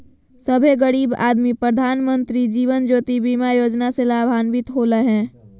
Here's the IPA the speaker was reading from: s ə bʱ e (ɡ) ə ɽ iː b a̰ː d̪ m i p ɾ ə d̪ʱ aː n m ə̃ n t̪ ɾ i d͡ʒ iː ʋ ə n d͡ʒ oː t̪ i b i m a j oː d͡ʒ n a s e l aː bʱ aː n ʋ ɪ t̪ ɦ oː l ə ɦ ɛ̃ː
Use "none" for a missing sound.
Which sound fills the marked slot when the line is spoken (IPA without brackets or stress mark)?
ɡ